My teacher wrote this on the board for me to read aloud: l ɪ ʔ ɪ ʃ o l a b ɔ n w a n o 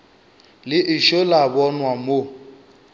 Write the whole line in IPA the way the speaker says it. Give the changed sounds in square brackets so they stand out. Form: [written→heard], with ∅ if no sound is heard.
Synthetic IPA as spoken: l ɪ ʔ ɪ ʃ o l a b ɔ n w a [n→m] o